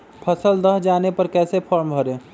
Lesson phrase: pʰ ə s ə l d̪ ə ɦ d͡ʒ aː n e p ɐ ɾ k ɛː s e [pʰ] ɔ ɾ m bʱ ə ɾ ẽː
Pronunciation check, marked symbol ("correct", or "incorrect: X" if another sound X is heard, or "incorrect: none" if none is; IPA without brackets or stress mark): correct